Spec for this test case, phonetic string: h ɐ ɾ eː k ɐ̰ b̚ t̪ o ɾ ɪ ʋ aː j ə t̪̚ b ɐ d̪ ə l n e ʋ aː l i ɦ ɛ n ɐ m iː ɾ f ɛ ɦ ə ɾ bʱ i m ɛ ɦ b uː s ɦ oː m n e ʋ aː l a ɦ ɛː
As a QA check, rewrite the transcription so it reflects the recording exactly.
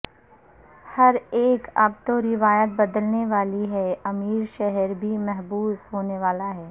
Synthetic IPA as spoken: h ɐ ɾ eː k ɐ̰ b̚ t̪ o ɾ ɪ ʋ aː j ə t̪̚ b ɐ d̪ ə l n e ʋ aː l i ɦ ɛ ɐ m iː ɾ ʃ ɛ ɦ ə ɾ bʱ i m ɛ ɦ b uː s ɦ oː n e ʋ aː l a ɦ ɛː